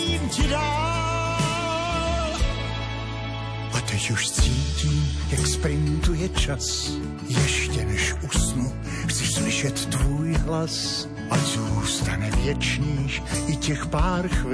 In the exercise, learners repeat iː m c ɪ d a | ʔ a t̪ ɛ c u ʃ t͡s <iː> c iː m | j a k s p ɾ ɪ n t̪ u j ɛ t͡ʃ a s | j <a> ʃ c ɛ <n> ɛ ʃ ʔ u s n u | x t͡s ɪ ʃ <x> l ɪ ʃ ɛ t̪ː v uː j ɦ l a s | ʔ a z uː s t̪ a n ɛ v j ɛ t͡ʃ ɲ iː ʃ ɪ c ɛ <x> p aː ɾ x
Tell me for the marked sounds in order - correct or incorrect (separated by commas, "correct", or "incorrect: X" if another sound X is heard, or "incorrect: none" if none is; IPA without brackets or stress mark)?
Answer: correct, incorrect: ɛ, correct, incorrect: s, correct